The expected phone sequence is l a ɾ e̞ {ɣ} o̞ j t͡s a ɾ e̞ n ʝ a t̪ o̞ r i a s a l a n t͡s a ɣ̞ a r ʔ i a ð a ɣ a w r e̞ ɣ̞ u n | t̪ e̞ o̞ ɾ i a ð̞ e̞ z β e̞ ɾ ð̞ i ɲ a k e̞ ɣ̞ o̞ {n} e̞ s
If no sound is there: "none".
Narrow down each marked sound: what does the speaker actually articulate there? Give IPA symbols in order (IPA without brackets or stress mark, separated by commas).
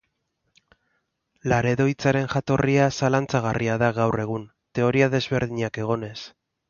ð, n